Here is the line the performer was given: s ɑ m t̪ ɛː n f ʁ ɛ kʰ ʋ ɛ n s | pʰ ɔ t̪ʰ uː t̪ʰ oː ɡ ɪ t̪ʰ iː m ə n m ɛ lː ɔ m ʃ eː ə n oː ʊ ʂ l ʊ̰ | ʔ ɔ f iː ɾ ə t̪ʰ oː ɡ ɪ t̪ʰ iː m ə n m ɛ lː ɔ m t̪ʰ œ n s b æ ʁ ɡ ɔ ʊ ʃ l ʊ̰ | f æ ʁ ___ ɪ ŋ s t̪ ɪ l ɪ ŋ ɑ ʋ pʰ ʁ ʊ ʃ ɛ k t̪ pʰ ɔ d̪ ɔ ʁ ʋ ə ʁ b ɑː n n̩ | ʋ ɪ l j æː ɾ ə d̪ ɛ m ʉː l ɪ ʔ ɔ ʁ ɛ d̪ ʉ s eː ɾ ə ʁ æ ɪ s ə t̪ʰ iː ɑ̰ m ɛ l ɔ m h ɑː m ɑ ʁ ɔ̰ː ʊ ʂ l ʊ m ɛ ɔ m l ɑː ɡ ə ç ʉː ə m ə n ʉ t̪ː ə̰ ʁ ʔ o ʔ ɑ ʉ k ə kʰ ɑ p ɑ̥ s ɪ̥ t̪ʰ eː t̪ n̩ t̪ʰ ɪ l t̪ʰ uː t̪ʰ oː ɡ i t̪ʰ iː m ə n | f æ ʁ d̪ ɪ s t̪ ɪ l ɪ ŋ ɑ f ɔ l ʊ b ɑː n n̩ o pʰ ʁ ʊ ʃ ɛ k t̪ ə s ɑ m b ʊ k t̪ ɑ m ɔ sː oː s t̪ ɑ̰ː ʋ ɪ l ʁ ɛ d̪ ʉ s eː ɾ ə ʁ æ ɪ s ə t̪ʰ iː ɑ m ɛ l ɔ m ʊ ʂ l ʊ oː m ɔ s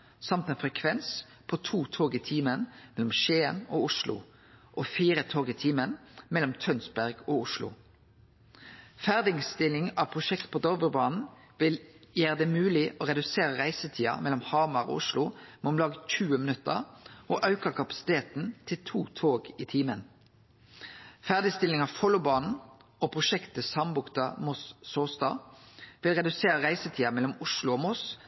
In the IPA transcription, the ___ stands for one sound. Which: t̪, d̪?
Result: d̪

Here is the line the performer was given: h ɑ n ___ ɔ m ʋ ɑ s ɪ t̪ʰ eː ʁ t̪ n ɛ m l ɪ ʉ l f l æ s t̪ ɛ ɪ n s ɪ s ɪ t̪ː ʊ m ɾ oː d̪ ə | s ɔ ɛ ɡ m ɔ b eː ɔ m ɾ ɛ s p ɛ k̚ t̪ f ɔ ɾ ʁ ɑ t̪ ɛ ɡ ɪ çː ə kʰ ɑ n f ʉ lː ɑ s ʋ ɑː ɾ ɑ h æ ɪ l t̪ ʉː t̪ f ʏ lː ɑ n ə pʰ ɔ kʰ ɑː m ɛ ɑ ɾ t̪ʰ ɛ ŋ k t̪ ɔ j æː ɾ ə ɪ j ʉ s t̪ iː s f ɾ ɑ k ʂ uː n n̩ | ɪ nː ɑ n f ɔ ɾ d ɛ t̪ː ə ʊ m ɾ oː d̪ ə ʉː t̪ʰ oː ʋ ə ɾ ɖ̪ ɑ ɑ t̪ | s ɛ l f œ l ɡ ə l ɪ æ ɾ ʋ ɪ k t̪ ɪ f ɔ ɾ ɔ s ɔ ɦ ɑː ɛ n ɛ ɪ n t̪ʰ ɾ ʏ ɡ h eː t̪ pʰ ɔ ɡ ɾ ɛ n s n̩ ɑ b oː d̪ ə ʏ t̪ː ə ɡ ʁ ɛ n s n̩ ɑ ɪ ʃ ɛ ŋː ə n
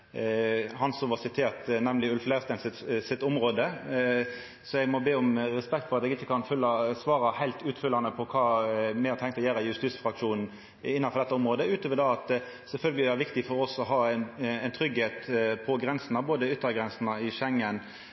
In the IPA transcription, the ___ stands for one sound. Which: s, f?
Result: s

